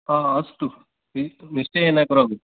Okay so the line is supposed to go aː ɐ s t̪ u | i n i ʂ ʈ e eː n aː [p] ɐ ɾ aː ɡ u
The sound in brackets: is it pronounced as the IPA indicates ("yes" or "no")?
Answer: no